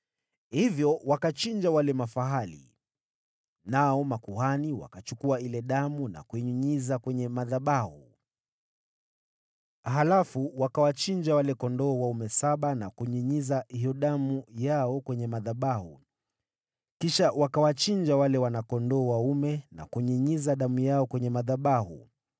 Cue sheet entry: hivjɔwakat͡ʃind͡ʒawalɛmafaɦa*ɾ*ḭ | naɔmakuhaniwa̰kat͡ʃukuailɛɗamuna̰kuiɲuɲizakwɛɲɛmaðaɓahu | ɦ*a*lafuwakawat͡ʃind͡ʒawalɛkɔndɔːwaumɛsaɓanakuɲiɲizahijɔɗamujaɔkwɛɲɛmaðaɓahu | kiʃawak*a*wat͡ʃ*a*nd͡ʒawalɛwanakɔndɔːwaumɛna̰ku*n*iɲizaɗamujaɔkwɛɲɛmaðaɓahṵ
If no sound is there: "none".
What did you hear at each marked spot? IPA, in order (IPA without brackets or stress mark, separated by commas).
l, a, a, i, ɲ